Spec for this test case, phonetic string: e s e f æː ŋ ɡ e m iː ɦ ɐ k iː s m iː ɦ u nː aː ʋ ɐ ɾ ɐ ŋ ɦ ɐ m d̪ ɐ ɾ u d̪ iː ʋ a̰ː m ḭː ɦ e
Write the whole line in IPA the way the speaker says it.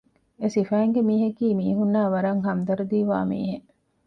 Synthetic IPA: e s i f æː ŋ ɡ e m iː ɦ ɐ k iː m iː ɦ u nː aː ʋ ɐ ɾ ɐ ŋ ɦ ɐ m d̪ ɐ ɾ u d̪ iː ʋ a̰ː m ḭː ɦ e